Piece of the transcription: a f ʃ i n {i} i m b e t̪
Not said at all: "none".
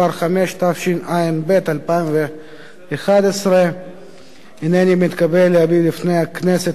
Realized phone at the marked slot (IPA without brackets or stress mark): a